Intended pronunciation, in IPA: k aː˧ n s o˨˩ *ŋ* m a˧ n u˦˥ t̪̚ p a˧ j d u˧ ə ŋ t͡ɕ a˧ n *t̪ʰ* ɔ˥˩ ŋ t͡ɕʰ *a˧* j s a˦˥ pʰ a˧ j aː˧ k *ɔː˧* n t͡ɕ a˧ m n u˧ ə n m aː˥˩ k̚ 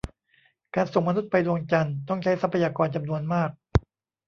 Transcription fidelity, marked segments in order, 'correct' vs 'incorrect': correct, incorrect, incorrect, correct

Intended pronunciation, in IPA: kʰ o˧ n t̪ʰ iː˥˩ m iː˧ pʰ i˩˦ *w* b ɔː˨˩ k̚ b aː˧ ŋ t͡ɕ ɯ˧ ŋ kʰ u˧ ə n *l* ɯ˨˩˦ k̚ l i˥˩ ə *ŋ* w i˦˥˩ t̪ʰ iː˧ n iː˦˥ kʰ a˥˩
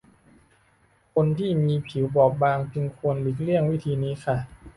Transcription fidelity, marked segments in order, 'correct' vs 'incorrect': correct, correct, correct

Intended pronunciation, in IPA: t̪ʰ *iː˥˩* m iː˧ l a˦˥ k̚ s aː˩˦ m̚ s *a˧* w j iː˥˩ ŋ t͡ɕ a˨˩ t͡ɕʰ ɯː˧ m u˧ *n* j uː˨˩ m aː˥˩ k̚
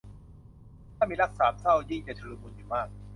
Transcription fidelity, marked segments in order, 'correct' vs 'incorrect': incorrect, incorrect, correct

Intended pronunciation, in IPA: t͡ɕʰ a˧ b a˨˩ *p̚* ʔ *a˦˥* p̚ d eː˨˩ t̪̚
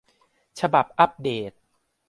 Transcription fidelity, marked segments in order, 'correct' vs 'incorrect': correct, correct

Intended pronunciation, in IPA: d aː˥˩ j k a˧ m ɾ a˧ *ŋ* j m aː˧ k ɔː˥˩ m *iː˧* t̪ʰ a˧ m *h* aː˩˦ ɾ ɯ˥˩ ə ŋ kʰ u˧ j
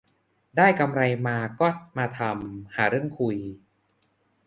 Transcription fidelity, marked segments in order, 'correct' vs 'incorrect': incorrect, incorrect, correct

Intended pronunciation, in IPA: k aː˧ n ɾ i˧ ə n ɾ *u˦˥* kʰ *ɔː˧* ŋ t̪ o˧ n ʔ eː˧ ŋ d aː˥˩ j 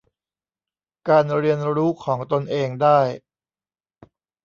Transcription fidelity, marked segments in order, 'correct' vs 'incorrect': incorrect, incorrect

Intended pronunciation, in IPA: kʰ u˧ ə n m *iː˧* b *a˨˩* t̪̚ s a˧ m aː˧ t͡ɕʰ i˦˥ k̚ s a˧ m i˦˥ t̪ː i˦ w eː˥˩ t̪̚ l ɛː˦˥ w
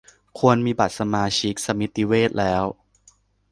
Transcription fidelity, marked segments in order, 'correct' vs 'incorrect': correct, correct

